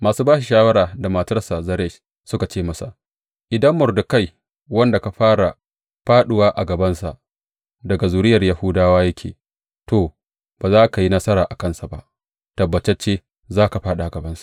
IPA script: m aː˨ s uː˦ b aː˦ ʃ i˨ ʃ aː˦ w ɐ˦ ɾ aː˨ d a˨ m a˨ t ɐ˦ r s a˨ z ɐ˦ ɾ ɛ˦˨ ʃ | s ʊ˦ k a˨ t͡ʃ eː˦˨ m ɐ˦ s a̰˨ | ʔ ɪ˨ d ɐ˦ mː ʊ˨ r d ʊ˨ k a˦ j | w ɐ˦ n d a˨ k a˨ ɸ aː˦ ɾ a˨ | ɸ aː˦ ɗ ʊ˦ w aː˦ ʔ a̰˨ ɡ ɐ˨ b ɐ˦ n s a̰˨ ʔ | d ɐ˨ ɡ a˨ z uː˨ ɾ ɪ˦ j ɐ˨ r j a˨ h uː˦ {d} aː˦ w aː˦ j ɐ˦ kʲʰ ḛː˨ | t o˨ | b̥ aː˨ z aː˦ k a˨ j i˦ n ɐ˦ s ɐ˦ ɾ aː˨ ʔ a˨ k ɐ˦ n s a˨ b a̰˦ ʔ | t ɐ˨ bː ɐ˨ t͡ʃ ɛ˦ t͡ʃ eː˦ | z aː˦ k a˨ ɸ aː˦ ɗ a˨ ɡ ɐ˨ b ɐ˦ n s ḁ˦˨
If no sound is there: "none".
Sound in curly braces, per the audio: d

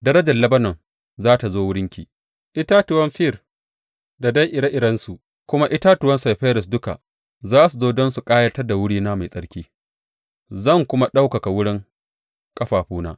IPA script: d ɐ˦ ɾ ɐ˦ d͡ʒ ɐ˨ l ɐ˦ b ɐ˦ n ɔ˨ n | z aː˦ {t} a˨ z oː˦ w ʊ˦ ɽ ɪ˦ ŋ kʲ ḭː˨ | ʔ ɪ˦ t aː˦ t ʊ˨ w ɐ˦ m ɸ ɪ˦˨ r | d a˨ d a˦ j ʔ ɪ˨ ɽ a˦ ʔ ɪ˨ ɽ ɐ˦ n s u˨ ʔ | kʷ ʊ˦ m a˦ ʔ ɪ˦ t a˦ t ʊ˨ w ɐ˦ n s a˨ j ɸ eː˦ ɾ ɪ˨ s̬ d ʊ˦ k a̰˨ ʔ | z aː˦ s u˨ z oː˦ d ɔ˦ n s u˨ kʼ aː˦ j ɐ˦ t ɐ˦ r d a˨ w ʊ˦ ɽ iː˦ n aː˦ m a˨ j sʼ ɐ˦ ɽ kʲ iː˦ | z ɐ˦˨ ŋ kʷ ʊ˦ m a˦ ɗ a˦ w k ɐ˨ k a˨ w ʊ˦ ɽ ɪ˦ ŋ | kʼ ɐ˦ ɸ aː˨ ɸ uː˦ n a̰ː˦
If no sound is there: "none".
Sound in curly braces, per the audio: t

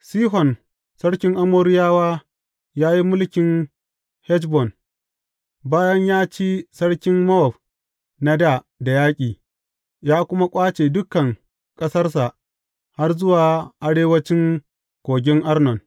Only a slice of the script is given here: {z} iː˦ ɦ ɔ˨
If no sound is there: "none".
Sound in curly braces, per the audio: s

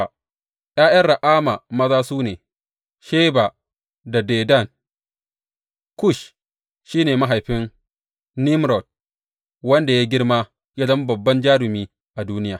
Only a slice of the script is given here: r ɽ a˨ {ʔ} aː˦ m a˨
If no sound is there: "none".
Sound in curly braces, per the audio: ʔ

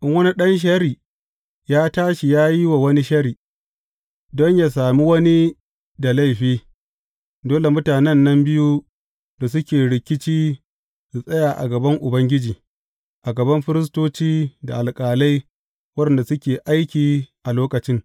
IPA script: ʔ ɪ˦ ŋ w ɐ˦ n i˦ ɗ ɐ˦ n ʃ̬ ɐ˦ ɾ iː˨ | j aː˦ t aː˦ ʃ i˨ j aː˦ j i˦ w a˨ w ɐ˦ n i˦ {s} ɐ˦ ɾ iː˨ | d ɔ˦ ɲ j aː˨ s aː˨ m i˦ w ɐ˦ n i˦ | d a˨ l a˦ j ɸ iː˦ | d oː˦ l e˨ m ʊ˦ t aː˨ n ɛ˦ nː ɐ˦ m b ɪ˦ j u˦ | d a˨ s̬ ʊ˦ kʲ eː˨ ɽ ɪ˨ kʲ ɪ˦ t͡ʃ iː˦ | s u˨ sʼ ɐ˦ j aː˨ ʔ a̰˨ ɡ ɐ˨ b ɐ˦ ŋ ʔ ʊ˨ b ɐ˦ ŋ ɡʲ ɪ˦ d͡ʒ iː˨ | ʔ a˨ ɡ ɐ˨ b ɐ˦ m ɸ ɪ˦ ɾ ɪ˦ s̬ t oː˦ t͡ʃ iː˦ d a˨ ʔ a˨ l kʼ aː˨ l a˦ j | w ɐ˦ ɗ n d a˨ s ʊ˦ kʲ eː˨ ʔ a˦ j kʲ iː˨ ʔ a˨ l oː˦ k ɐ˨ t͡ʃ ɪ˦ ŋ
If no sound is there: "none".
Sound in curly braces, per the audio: ʃ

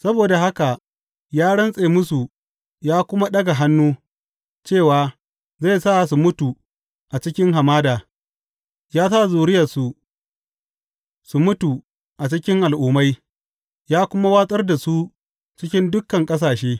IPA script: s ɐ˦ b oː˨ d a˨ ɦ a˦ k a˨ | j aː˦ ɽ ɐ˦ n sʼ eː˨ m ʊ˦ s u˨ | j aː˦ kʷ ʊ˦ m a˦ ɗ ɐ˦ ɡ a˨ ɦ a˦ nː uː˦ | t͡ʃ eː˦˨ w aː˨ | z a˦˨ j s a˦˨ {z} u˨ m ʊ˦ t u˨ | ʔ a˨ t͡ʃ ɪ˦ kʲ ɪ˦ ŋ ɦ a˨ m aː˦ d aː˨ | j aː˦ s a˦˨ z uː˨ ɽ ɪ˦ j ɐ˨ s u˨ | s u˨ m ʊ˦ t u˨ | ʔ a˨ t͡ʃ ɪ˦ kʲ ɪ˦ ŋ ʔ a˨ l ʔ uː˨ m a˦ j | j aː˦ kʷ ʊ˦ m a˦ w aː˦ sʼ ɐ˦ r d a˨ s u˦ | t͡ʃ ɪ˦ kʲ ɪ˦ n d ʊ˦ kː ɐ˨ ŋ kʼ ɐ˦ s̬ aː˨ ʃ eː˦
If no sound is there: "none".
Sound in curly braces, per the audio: s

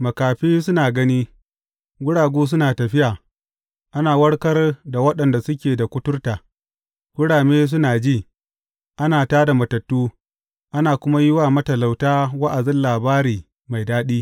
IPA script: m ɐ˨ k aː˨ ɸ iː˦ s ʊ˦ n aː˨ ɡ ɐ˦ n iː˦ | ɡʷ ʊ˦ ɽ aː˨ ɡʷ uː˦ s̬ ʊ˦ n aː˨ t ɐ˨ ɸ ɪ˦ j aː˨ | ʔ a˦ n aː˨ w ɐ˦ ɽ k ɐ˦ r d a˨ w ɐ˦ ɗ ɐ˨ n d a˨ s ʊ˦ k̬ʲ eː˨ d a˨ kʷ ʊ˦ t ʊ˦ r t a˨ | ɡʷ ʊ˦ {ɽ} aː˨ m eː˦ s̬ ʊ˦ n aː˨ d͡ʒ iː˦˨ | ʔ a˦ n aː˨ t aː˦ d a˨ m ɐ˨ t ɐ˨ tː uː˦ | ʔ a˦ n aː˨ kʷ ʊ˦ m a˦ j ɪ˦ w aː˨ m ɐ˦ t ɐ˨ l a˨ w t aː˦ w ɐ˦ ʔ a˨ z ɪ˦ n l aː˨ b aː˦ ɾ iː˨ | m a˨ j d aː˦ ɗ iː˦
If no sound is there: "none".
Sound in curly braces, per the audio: ɽ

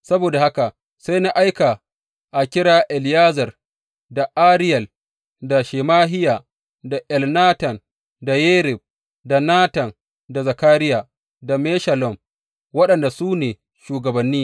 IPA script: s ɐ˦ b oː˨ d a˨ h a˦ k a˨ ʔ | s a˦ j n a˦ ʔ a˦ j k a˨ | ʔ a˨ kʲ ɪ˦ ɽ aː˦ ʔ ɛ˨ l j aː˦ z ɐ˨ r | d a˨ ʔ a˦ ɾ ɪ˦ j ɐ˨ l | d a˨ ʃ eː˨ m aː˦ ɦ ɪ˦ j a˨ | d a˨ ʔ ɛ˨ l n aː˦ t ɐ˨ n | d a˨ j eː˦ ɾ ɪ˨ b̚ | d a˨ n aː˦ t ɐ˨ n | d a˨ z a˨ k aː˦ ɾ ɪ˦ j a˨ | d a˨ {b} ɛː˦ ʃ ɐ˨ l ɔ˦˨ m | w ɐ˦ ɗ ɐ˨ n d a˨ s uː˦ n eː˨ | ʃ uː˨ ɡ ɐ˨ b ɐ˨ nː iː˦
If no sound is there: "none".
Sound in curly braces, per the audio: m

